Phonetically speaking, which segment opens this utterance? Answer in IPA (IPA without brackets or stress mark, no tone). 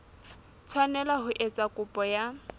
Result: t͡sʰ